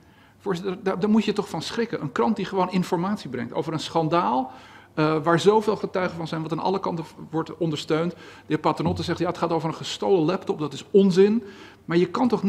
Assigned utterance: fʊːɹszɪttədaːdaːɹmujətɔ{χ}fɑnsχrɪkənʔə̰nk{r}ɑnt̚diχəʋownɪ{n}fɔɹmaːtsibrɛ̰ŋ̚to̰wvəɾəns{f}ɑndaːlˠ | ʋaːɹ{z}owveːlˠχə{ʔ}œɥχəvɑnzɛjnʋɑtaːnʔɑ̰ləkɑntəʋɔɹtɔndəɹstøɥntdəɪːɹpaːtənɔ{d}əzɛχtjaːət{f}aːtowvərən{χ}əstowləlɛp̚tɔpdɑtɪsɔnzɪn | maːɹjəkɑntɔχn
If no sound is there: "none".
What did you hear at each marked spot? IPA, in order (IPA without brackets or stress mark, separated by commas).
χ, r, n, χ, z, t, t, χ, χ